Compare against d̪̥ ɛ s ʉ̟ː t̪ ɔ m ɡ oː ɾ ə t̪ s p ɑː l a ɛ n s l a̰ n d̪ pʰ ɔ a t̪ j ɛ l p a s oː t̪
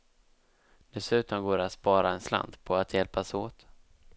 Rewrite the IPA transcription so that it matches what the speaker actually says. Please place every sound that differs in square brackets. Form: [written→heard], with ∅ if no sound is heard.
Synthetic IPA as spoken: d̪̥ ɛ s ʉ̟ː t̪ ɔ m ɡ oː ɾ [ə→a] t̪ s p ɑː [l→ɾ] a ɛ n s l a̰ n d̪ pʰ ɔ a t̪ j ɛ l p a s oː t̪

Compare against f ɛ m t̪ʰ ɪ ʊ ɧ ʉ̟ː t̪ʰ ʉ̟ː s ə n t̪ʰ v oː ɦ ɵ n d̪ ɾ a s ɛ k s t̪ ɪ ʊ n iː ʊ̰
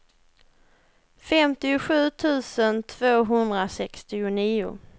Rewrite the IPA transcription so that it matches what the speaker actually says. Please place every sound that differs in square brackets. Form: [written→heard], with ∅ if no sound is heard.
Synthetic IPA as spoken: f ɛ m [t̪ʰ→t̪] ɪ ʊ ɧ ʉ̟ː t̪ʰ ʉ̟ː s ə n t̪ʰ v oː ɦ ɵ n d̪ ɾ a s ɛ k s t̪ ɪ ʊ n iː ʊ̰

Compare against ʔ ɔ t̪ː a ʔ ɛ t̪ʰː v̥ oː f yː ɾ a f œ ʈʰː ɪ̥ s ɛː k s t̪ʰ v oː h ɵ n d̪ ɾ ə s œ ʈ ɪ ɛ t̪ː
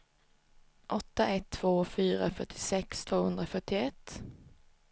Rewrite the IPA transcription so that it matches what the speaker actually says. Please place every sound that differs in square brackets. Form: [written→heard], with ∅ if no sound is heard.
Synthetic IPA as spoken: ʔ ɔ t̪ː a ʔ ɛ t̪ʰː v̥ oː f yː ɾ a f œ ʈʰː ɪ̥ s [ɛː→ɛ] k s t̪ʰ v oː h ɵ n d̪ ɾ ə [s→f] œ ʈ ɪ ɛ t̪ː

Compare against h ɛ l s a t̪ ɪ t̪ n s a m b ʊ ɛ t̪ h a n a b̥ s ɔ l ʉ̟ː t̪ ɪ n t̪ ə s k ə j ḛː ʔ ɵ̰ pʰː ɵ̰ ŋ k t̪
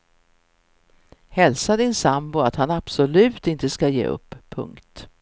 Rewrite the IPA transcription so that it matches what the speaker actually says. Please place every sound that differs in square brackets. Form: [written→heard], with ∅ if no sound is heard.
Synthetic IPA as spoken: h ɛ l s a [t̪→d̪] ɪ [t̪→∅] n s a m b ʊ [ɛ→a] t̪ h a n a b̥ s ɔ l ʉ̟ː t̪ ɪ n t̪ ə s k [ə→a] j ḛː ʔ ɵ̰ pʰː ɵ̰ ŋ k t̪

